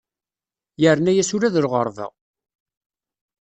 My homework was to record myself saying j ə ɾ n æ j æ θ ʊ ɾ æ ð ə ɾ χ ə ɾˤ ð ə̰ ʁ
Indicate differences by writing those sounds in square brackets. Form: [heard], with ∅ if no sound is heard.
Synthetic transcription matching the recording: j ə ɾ n æ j æ [s] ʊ ɾ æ ð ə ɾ [ʁ] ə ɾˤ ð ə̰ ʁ